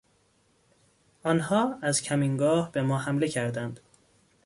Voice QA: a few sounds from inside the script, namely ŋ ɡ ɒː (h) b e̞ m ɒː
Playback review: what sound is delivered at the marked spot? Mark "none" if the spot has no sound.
h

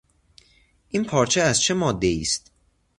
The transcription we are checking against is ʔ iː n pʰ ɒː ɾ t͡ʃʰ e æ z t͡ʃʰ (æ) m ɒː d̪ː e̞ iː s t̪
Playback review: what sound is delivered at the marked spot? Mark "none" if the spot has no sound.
e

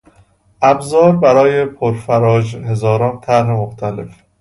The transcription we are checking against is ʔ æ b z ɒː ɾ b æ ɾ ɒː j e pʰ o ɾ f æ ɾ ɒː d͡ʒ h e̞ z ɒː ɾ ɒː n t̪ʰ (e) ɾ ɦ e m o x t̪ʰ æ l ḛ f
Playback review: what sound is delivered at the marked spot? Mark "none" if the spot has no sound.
æ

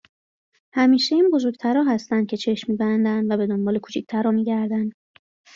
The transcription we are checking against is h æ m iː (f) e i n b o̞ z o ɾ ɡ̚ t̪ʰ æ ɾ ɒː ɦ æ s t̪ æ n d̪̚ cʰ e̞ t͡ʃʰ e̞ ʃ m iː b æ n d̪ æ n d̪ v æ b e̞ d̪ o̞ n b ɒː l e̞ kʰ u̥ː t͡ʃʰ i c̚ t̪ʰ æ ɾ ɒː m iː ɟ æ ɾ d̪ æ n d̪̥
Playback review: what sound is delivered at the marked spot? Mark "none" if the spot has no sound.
ʃ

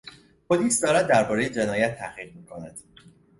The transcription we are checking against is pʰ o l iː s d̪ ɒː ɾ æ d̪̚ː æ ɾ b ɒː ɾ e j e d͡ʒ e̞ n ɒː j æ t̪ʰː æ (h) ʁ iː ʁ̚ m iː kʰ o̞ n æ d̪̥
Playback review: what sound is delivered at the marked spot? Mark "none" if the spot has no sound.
h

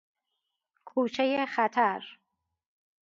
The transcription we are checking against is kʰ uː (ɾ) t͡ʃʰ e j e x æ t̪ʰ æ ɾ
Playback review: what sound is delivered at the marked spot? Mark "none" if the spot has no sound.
none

